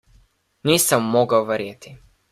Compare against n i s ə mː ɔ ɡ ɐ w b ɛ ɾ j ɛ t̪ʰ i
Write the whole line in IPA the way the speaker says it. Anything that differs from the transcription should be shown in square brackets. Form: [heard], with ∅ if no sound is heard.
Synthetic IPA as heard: n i s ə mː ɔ ɡ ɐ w [v] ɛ ɾ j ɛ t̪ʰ i